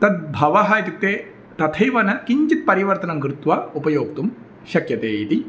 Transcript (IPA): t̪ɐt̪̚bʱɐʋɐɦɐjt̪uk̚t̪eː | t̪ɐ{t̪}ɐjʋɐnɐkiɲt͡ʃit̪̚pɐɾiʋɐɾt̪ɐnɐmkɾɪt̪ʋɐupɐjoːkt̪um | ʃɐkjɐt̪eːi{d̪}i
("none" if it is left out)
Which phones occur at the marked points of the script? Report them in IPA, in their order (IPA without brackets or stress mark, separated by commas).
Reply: t̪ʰ, t̪